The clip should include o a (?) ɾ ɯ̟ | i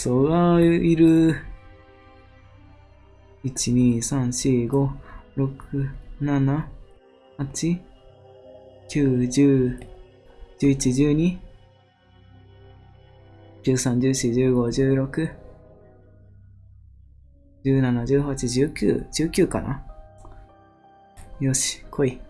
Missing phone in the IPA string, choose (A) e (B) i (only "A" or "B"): B